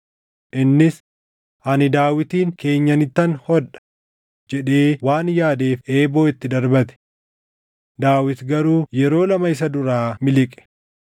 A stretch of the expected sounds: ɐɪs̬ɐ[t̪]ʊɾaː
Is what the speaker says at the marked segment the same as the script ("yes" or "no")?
no